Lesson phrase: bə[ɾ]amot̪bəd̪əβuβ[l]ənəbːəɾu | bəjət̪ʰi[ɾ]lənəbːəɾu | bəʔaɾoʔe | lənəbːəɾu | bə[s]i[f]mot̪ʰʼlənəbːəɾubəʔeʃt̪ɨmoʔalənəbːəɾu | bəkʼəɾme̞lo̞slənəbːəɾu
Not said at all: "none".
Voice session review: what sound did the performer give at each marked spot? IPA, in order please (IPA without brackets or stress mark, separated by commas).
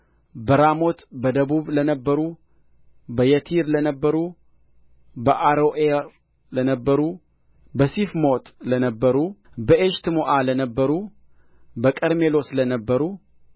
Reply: ɾ, l, ɾ, s, f